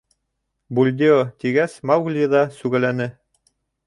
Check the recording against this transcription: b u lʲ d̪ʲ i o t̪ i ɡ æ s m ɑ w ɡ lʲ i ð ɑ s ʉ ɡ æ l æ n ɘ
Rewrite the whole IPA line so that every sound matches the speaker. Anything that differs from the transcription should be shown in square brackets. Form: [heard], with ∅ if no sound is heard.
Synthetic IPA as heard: b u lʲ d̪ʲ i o t̪ i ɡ æ s m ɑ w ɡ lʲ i ð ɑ s ʉ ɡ æ l æ n ɘ